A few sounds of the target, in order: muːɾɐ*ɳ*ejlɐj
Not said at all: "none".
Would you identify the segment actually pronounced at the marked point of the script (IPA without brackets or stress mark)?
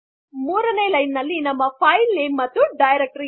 n